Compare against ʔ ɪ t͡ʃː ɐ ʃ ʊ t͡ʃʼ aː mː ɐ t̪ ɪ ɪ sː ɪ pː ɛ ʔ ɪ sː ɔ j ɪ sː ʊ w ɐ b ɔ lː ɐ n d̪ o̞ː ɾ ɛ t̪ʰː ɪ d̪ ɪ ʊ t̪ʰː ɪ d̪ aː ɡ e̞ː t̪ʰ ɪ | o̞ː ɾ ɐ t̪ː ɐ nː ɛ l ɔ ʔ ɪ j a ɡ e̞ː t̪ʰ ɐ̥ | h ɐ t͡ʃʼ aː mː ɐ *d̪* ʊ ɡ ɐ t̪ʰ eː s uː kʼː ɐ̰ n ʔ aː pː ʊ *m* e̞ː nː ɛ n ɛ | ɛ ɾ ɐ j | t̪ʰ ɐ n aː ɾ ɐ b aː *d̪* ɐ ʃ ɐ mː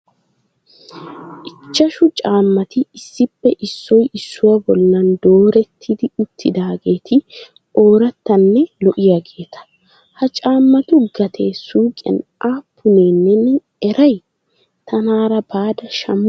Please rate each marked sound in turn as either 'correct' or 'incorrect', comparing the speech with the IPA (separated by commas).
incorrect, incorrect, correct